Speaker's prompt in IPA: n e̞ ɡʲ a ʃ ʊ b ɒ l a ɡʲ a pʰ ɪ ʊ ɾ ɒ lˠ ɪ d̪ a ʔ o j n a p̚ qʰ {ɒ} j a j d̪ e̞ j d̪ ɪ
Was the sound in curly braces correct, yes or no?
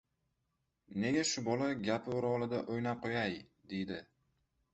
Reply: no